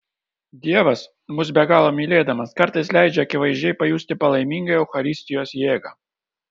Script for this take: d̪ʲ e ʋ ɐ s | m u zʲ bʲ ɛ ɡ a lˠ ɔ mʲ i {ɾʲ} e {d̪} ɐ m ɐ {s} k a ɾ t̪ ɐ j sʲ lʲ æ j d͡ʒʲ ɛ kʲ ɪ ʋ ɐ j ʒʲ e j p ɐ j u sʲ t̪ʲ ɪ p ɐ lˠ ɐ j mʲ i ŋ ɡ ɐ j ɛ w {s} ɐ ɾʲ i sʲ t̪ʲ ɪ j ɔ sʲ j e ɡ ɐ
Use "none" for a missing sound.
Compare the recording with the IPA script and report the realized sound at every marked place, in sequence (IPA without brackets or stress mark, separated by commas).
lʲ, d̪, s, x